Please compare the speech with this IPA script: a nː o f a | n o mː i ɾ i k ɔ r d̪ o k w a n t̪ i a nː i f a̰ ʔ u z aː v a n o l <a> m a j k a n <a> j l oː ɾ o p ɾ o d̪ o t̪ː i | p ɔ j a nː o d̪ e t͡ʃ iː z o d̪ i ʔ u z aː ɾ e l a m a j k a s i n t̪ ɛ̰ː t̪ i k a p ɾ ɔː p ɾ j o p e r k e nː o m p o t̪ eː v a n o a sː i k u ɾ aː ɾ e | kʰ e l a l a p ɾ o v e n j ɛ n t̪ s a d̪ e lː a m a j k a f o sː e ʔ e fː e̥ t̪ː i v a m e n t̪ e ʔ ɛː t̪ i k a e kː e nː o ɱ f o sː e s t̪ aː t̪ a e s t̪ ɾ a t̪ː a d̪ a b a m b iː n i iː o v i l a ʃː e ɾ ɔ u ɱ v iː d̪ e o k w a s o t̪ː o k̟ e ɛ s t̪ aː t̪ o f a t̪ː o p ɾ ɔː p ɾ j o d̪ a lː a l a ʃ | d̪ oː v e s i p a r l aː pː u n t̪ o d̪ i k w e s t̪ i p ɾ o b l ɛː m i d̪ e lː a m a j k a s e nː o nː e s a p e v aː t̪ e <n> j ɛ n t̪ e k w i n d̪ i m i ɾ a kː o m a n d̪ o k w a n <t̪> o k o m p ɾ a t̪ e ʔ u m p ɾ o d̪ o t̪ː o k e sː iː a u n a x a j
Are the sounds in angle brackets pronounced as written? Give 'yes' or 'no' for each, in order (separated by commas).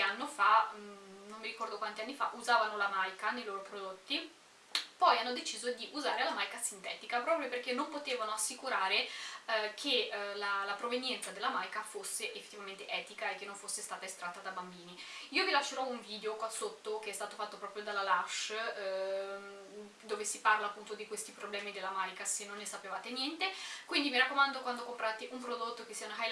yes, no, yes, no